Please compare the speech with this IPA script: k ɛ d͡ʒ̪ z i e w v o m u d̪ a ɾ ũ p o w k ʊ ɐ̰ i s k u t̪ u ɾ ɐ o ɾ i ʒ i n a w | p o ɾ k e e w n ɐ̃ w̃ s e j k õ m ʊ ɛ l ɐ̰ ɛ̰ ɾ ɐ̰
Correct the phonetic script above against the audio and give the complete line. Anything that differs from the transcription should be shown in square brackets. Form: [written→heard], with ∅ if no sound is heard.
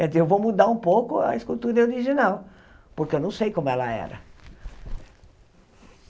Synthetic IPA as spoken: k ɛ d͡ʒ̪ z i e w v o m u d̪ a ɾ ũ p o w k ʊ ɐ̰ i s k u t̪ u ɾ ɐ o ɾ i ʒ i n a w | p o ɾ k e e w n ɐ̃ w̃ s e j k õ m ʊ ɛ l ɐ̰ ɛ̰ ɾ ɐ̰